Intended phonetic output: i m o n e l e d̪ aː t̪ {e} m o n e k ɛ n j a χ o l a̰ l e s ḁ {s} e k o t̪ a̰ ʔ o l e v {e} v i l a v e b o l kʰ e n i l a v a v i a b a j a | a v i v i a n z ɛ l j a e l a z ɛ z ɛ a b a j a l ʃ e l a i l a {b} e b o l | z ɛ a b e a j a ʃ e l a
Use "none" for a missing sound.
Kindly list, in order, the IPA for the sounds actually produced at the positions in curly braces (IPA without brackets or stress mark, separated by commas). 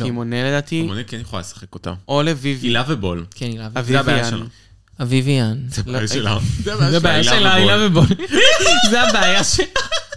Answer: i, χ, i, v